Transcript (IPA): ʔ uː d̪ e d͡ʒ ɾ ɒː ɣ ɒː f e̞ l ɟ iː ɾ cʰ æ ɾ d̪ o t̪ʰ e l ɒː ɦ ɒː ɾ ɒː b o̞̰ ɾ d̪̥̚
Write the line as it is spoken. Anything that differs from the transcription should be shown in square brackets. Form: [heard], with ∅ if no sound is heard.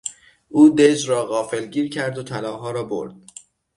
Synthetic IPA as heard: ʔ uː d̪ e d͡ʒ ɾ ɒː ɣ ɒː f e̞ l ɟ iː ɾ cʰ æ ɾ d̪ o t̪ʰ [æ] l ɒː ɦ ɒː ɾ ɒː b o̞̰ ɾ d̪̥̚